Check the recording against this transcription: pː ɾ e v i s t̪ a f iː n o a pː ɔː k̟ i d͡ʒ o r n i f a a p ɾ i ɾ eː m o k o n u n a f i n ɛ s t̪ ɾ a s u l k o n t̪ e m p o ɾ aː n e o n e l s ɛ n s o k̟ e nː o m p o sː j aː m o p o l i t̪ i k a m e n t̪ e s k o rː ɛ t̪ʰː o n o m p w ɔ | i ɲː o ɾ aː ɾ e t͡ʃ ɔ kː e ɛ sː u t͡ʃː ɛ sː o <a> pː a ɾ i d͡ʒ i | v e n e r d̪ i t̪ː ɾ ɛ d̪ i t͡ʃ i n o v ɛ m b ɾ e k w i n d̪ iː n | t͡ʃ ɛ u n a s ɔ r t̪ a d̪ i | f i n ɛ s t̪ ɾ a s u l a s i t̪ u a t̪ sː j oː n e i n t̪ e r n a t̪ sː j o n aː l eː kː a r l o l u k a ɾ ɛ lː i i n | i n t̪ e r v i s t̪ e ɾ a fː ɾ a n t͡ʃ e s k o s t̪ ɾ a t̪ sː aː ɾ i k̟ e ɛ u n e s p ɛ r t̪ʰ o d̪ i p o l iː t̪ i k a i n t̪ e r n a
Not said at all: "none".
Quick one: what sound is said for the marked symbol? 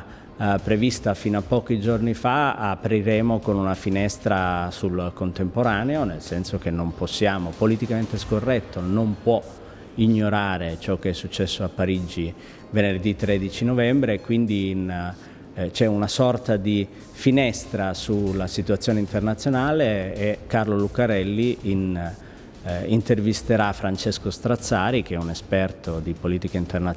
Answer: a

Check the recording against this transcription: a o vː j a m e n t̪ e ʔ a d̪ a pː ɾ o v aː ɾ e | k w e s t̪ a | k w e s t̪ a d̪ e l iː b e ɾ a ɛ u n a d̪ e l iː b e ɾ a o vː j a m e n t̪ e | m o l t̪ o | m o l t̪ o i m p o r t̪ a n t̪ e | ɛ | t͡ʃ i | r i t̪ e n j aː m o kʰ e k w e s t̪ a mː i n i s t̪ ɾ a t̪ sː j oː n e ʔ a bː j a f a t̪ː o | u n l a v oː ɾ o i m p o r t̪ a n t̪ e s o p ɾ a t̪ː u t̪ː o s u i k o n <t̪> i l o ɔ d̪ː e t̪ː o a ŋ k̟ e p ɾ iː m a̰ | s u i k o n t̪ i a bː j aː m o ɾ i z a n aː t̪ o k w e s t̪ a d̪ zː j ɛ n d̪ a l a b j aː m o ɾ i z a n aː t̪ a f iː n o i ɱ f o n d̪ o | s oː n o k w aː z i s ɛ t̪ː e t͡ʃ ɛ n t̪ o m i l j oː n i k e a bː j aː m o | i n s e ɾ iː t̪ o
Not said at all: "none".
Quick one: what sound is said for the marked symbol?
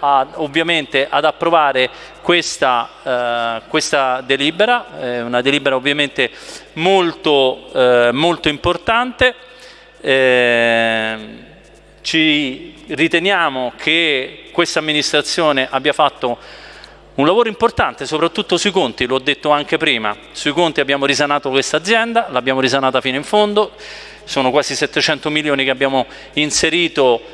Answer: t̪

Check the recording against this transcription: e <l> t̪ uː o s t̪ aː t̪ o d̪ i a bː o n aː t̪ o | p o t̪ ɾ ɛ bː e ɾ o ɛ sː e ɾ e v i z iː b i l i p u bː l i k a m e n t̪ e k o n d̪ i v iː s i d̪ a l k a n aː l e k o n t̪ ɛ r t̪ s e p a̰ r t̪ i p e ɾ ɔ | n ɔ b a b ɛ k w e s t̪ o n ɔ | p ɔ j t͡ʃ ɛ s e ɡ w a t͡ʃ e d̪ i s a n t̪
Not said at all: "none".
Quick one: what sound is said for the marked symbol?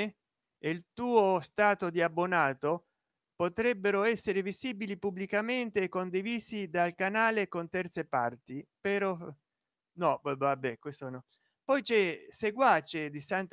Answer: l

